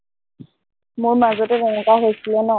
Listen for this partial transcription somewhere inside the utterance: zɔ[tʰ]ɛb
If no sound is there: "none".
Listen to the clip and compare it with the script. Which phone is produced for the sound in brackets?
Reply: t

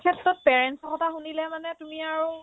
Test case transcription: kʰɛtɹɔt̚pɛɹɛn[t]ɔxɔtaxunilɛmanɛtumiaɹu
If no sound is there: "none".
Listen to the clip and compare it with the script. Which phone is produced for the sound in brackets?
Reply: s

